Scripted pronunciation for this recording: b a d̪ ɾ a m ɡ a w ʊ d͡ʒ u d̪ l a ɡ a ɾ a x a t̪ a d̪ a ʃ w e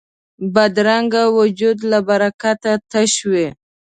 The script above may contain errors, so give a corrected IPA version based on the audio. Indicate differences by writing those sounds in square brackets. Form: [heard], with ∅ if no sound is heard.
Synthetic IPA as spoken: b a d̪ ɾ a [ŋ] ɡ a w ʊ d͡ʒ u d̪ l a [b] a ɾ a [k] a t̪ a [t̪] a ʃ w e

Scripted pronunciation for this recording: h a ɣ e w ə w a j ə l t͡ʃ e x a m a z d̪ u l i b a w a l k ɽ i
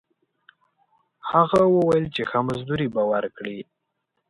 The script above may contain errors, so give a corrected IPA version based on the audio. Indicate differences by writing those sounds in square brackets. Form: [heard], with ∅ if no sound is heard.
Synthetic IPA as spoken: h a ɣ [a] w ə w a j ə l t͡ʃ e x a m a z d̪ u [ɾ] i b a w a [ɾ] k ɽ i

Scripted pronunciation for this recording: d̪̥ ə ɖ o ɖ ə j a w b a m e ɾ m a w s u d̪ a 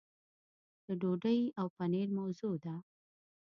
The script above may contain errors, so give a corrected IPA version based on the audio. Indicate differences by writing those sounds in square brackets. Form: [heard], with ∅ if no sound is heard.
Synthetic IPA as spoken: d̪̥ ə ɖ o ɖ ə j a w [p] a [n] e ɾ m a w [z] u d̪ a

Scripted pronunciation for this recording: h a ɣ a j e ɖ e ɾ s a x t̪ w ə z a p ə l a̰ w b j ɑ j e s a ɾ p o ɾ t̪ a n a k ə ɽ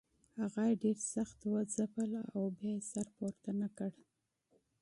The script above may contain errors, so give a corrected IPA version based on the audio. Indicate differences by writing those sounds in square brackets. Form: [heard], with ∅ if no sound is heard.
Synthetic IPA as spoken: h a ɣ a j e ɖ e ɾ s a x t̪ w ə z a p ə l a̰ w b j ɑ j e s a ɾ p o ɾ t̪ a n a k ə ɽ

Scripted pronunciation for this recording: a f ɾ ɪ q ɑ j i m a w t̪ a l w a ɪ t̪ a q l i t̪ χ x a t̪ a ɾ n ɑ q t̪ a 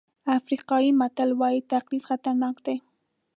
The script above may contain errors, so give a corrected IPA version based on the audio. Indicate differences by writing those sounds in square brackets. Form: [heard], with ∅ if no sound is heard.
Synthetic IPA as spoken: a f ɾ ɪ q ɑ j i m a [∅] t̪ a l w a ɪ t̪ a q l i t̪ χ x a t̪ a ɾ n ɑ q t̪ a

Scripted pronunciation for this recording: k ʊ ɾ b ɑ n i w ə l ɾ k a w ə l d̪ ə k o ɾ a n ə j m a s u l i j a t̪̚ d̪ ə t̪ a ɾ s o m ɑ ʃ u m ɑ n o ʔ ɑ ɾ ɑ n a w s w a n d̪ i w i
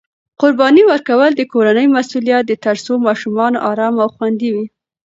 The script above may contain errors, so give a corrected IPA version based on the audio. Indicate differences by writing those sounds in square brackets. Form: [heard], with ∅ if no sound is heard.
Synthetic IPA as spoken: [q] ʊ ɾ b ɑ n i w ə [∅] ɾ k a w ə l d̪ ə k o ɾ a n ə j m a s u l i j a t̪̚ d̪ ə t̪ a ɾ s o m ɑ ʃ u m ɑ n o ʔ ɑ ɾ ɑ [m] a w [x] w a n d̪ i w i

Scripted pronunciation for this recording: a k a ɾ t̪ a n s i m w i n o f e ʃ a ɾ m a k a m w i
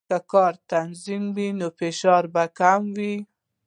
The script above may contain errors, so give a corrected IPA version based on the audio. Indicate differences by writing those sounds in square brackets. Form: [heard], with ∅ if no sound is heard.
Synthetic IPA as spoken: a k [ɑ] ɾ t̪ a n [z] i m w i n o f e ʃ [ɑ] ɾ [b] a k a m w i

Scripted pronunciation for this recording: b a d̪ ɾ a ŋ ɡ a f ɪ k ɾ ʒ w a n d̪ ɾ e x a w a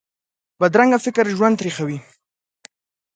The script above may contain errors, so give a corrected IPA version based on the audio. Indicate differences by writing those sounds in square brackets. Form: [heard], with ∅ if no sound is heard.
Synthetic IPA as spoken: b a d̪ ɾ a ŋ ɡ a f ɪ k ɾ ʒ w a n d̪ ɾ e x a w [i]

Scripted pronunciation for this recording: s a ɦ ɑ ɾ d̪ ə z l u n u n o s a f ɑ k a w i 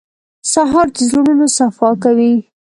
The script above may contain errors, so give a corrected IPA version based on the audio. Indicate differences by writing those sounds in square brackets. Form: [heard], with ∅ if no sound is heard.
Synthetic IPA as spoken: s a ɦ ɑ ɾ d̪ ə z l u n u n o s a f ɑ k a w i

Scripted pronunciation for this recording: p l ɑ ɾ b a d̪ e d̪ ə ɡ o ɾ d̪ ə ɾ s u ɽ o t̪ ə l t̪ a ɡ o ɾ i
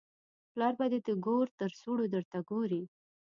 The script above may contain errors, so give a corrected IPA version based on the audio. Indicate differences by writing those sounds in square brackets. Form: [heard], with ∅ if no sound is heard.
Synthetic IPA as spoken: p l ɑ ɾ b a d̪ e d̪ ə ɡ o ɾ [t̪] ə ɾ s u ɽ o [d̪] ə [ɾ] t̪ a ɡ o ɾ i

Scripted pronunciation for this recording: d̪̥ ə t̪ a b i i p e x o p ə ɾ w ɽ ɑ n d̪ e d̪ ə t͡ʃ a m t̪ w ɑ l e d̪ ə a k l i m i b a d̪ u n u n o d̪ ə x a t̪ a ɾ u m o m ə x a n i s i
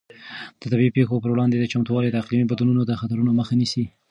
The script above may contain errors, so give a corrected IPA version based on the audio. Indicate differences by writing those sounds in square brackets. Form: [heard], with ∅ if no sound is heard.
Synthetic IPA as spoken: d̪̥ ə t̪ a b i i p e x o p ə ɾ w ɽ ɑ n d̪ e d̪ ə t͡ʃ a m t̪ w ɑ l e d̪ ə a [q] l i m i b a d̪ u n u n o d̪ ə x a t̪ a ɾ u [n] o m ə x a n i s i

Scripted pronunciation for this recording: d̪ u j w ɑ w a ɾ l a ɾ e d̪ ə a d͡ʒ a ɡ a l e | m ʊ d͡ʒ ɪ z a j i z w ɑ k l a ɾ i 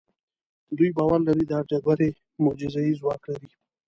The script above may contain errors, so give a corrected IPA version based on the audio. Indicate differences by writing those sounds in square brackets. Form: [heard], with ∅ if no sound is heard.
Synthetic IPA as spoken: d̪ u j [b] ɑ w a ɾ l a ɾ [i] d̪ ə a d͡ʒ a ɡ a [ɾ] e | m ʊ d͡ʒ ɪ z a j i z w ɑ k l a ɾ i

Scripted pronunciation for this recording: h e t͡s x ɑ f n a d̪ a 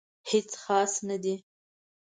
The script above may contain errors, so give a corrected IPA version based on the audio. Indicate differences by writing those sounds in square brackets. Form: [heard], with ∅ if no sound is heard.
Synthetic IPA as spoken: h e t͡s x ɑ [s] n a d̪ [i]

